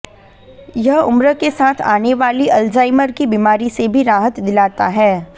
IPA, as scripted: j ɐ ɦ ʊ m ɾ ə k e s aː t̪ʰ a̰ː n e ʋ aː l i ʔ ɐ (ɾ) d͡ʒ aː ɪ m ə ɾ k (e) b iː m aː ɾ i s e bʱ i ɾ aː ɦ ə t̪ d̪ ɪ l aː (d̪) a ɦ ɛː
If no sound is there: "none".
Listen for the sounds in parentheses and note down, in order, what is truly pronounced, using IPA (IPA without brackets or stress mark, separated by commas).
l, i, t̪